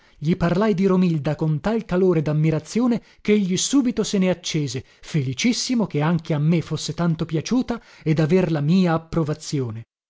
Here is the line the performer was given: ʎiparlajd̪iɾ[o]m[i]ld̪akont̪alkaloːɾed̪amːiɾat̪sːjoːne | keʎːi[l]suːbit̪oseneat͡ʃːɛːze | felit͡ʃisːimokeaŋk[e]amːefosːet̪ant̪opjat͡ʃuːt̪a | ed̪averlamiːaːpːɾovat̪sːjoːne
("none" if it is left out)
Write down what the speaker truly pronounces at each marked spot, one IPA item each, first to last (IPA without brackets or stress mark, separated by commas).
o, i, none, e